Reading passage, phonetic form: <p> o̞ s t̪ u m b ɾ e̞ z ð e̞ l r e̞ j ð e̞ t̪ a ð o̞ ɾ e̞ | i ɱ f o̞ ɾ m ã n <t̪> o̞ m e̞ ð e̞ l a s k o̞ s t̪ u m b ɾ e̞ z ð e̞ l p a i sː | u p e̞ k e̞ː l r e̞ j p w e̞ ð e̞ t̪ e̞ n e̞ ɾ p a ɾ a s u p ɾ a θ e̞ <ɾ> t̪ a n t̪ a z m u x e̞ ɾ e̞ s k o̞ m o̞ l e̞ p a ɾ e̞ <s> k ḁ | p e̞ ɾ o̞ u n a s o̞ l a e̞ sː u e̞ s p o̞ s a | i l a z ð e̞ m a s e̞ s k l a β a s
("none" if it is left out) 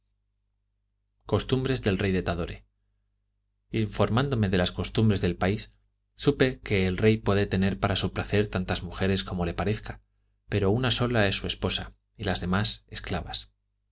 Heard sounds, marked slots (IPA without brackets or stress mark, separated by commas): k, d̪, ɾ, θ